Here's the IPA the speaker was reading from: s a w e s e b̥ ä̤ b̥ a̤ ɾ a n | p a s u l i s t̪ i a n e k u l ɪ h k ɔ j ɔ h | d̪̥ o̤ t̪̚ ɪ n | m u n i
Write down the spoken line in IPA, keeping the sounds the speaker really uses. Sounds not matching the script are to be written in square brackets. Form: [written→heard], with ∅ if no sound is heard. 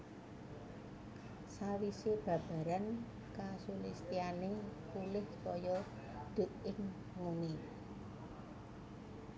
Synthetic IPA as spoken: s a w [e→i] s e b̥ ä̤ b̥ a̤ ɾ a n | [p→k] a s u l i s t̪ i a n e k u l ɪ h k ɔ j ɔ [h→∅] | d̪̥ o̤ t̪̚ ɪ [n→ŋ] | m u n i